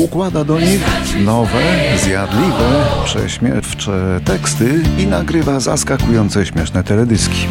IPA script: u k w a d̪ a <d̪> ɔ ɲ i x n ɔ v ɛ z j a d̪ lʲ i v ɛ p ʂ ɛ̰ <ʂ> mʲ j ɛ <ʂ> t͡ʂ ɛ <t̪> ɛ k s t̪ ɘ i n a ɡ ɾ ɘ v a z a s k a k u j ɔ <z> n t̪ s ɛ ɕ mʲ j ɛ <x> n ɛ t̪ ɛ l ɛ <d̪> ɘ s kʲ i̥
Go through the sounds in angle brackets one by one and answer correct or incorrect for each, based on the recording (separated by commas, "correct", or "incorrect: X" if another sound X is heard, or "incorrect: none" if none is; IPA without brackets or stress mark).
correct, incorrect: ɕ, incorrect: f, correct, incorrect: none, incorrect: ʂ, correct